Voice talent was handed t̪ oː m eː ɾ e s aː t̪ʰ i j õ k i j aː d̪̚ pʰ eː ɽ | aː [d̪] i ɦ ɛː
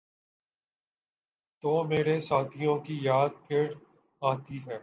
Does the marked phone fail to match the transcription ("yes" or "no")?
yes